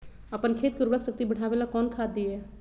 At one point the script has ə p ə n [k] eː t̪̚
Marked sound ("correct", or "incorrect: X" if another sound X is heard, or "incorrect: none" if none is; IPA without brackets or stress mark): incorrect: kʰ